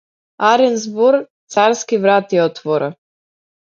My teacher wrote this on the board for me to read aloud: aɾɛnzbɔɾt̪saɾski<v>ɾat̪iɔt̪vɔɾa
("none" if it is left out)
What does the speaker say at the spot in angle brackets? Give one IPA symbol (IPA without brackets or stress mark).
v